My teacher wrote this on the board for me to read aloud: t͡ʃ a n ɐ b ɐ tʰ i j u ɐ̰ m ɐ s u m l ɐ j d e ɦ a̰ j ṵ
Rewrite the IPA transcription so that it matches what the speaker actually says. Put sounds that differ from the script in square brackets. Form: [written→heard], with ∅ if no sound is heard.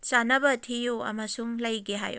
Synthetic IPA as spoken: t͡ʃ a n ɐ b ɐ tʰ i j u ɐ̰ m ɐ s u [m→ŋ] l ɐ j [d→ɡ] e ɦ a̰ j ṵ

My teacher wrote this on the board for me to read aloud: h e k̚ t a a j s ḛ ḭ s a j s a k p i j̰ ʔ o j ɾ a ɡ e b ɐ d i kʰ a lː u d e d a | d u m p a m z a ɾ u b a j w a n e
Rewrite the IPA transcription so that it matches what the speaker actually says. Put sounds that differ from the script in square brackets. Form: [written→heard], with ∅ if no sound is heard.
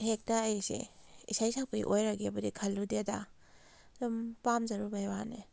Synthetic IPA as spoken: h e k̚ t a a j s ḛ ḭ s a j s a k p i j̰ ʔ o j ɾ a ɡ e b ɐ d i kʰ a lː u d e d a | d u m p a m z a ɾ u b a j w a n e

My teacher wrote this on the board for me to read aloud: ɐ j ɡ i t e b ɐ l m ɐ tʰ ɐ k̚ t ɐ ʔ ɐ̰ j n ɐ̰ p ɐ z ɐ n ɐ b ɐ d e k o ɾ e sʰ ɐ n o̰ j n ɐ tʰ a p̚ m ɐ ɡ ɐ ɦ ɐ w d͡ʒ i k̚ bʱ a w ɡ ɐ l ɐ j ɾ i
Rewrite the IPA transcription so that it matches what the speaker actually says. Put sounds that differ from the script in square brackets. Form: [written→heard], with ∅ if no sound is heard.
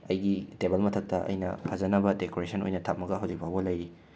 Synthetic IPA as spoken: ɐ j ɡ i t e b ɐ l m ɐ tʰ ɐ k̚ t ɐ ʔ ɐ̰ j n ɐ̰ [p→pʰ] ɐ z ɐ n ɐ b ɐ d e k o ɾ e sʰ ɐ n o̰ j n ɐ tʰ a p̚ m ɐ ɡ ɐ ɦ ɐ w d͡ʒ i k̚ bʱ a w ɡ ɐ l ɐ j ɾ i

